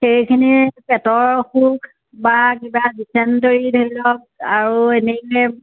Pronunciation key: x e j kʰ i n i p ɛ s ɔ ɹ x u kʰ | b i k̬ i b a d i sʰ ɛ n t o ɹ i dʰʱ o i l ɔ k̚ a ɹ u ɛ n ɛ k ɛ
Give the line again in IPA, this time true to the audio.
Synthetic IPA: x e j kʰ i n i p ɛ t ɔ ɹ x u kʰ | b a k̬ i b a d i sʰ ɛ n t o ɹ i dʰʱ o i l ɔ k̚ a ɹ u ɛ n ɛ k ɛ